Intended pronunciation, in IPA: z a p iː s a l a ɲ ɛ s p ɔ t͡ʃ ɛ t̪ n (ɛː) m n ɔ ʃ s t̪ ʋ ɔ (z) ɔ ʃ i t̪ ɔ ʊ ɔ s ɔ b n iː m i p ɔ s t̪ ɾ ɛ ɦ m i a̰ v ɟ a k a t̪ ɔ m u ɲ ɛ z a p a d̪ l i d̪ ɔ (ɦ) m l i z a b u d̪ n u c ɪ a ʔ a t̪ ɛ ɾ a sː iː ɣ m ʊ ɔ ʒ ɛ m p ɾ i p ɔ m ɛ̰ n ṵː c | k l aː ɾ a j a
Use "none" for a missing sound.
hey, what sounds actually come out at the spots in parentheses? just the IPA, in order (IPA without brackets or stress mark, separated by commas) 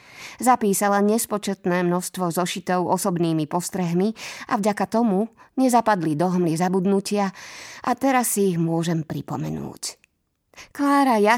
ɛː, z, ɦ